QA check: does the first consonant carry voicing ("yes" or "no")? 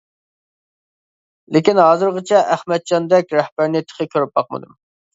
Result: yes